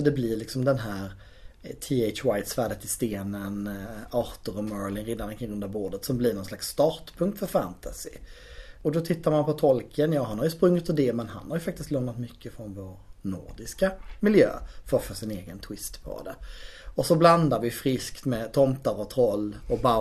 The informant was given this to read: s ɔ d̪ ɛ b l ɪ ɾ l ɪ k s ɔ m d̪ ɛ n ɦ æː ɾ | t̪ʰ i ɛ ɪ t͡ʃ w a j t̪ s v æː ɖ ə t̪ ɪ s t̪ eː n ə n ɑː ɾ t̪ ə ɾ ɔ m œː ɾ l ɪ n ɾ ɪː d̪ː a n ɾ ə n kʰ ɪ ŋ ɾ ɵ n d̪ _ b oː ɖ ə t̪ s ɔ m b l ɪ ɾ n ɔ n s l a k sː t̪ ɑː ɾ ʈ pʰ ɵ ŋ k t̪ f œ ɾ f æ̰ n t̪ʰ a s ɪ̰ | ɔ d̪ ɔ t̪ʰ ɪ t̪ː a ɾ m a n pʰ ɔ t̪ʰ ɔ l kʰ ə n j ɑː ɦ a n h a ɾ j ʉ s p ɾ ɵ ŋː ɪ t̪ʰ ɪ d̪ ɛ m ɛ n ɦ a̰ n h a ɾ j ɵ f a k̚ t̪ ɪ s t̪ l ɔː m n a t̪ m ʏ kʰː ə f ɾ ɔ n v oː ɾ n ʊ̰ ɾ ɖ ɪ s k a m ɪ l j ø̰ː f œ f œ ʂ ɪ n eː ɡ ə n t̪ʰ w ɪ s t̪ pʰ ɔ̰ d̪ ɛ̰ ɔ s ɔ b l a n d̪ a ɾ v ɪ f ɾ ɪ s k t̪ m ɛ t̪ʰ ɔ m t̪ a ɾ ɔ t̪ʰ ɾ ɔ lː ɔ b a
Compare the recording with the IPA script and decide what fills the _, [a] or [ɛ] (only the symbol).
a